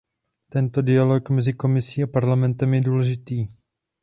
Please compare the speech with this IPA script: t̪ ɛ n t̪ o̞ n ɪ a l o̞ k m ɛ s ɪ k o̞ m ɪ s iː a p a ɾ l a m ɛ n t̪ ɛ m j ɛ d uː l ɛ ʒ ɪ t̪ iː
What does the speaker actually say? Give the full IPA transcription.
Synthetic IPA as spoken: t̪ ɛ n t̪ o̞ d ɪ a l o̞ k m ɛ z ɪ k o̞ m ɪ s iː a p a ɾ l a m ɛ n t̪ ɛ m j ɛ d uː l ɛ ʒ ɪ t̪ iː